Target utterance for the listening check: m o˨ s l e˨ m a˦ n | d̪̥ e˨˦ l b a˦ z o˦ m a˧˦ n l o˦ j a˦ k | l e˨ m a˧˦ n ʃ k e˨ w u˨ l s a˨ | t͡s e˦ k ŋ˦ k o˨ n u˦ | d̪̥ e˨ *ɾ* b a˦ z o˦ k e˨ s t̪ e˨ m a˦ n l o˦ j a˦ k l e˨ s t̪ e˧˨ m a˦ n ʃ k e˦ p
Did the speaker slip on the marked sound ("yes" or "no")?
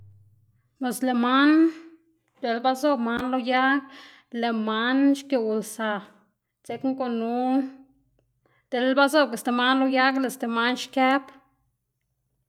yes